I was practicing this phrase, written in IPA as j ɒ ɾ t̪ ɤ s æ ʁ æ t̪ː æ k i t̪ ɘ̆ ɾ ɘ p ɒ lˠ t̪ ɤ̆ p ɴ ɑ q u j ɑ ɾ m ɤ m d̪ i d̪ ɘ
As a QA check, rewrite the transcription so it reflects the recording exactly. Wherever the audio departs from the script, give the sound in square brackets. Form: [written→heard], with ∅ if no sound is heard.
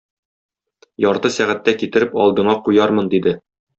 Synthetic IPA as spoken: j ɒ ɾ t̪ ɤ s æ ʁ æ t̪ː æ k i t̪ ɘ̆ ɾ ɘ p ɒ lˠ [t̪→d̪] ɤ̆ [p→∅] ɴ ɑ q u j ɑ ɾ m ɤ [m→n] d̪ i d̪ ɘ